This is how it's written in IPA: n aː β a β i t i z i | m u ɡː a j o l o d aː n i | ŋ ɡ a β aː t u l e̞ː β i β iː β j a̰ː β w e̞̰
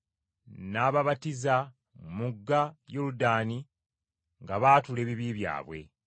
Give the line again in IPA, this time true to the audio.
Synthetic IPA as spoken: n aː β a β a t i z a | m u ɡː a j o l u d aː n i | ŋ ɡ a β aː t u l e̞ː β i β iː β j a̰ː β w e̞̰